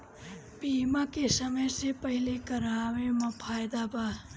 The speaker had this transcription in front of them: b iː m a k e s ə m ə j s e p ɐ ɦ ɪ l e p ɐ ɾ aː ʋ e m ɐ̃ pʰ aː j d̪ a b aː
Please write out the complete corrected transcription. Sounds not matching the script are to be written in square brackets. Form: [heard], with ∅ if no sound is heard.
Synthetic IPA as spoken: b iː m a k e s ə m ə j s e p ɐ ɦ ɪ l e [k] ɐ ɾ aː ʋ e m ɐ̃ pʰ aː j d̪ a b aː